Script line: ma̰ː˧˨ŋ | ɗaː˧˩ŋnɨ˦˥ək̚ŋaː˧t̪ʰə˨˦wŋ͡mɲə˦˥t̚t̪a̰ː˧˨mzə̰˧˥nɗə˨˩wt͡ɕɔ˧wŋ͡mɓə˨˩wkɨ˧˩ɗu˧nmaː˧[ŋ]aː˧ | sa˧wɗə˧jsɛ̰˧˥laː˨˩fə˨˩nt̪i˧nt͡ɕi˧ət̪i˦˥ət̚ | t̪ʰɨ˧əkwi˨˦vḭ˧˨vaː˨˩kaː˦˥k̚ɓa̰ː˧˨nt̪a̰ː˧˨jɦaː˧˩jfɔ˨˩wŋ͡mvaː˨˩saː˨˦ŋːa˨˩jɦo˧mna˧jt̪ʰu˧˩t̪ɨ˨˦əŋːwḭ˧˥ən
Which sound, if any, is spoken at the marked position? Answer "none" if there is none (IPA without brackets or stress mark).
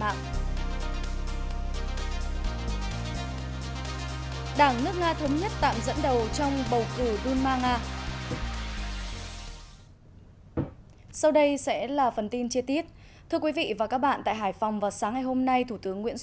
ŋ